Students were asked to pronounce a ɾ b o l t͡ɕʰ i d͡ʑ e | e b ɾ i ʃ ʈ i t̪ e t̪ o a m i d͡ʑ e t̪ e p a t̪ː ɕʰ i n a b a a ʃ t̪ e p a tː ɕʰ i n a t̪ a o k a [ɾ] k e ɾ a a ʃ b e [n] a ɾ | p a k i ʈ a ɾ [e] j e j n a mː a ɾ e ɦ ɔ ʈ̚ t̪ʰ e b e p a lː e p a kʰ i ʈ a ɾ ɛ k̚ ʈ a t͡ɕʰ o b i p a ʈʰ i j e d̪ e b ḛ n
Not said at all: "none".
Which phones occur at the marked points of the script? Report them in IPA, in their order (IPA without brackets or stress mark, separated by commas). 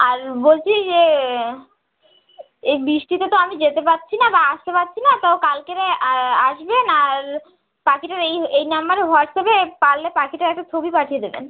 l, n, e